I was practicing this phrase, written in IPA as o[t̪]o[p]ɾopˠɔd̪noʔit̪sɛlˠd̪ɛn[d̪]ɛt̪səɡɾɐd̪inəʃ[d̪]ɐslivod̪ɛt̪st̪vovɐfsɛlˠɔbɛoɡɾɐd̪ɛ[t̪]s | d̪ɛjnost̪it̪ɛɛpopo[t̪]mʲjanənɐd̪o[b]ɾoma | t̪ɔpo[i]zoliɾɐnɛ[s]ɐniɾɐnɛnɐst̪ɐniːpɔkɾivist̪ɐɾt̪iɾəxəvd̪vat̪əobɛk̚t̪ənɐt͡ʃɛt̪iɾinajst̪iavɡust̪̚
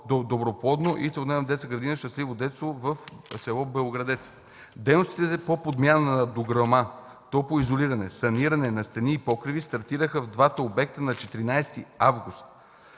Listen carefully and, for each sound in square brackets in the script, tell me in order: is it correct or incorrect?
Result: incorrect: d̪, incorrect: b, correct, incorrect: t̪, correct, incorrect: d̪, incorrect: ɡ, correct, correct

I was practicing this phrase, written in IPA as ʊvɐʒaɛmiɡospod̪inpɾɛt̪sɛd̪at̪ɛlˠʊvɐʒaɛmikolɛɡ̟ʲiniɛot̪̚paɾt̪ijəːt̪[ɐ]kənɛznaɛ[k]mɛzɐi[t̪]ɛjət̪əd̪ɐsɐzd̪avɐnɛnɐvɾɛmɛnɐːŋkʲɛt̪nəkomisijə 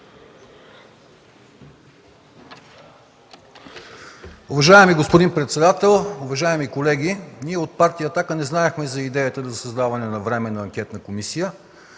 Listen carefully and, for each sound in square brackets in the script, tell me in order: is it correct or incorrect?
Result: incorrect: a, incorrect: x, incorrect: d̪

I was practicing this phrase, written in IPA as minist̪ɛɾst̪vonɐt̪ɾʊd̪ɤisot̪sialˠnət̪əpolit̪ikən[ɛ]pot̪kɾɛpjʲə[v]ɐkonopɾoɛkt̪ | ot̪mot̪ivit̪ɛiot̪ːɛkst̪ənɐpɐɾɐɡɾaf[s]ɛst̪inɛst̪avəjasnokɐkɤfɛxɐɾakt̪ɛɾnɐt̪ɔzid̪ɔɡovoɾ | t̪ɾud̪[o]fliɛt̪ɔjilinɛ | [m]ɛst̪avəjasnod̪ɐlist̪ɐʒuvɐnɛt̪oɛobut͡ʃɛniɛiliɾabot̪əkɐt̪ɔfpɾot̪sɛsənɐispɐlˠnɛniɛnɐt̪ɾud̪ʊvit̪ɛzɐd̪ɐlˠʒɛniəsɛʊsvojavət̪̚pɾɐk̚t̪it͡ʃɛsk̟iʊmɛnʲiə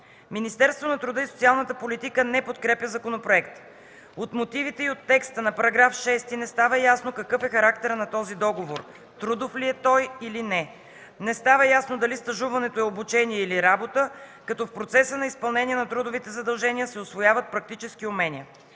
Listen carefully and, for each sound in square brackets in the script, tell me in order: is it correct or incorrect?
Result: correct, incorrect: z, incorrect: ʃ, correct, incorrect: n

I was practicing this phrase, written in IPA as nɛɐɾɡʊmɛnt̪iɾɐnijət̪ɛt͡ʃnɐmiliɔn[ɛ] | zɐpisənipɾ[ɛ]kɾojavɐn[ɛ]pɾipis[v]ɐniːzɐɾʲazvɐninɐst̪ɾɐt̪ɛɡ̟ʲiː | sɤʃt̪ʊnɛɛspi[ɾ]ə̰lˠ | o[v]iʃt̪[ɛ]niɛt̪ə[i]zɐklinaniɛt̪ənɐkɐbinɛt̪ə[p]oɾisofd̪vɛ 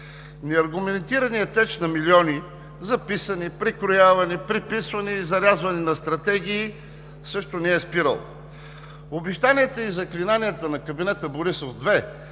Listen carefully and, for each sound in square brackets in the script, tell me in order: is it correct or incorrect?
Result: incorrect: i, incorrect: i, incorrect: i, correct, correct, incorrect: b, incorrect: a, correct, incorrect: b

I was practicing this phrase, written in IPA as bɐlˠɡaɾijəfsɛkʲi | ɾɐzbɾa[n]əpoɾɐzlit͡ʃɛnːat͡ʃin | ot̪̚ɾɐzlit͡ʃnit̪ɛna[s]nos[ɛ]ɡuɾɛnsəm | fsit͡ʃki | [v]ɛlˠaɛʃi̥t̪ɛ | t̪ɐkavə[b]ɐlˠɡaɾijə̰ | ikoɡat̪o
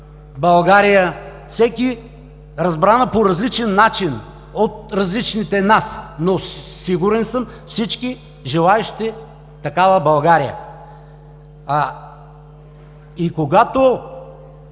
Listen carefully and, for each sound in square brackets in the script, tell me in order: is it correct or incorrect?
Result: correct, correct, incorrect: i, incorrect: ʒ, correct

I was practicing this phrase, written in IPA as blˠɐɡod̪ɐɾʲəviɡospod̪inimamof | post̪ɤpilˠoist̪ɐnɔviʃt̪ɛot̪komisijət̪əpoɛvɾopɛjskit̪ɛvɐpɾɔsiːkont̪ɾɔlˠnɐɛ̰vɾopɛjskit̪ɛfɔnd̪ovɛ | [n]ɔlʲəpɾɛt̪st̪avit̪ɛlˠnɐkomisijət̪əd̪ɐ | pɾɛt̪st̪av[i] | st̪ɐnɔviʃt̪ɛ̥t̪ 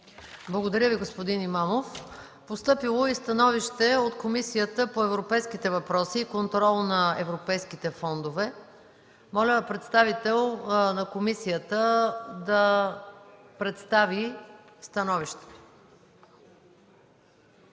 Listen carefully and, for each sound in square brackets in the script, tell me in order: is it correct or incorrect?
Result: incorrect: m, correct

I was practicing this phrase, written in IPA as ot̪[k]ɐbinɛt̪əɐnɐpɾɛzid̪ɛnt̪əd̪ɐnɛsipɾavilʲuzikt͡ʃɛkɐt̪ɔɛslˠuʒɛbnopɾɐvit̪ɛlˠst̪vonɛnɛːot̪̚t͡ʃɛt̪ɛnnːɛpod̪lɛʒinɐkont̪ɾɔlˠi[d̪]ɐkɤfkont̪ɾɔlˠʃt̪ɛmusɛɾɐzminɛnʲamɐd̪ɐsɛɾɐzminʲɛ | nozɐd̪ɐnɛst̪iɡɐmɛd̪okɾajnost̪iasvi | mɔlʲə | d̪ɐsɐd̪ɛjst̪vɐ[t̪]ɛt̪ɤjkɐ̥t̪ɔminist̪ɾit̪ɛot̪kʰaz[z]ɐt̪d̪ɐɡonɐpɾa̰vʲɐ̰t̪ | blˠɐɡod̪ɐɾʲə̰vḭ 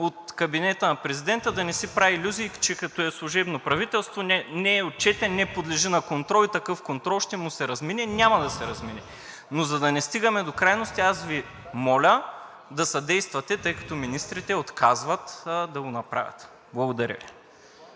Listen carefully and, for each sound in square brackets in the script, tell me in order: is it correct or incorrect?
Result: correct, incorrect: t̪, correct, incorrect: v

